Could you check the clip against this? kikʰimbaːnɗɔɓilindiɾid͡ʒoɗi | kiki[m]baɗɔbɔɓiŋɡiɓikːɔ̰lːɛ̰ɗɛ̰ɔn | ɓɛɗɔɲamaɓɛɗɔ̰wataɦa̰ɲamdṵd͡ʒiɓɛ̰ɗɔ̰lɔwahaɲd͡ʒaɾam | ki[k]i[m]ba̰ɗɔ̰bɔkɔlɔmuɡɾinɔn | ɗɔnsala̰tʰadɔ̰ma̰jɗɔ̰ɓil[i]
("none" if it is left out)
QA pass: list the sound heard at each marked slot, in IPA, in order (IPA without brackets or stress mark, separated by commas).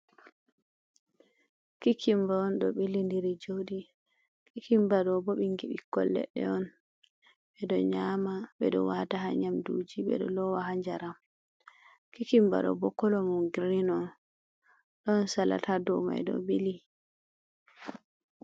m, k, m, i